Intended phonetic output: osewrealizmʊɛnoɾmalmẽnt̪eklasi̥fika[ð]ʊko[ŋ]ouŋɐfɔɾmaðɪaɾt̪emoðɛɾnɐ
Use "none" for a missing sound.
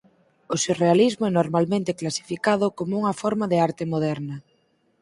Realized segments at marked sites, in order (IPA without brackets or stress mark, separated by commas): ð, m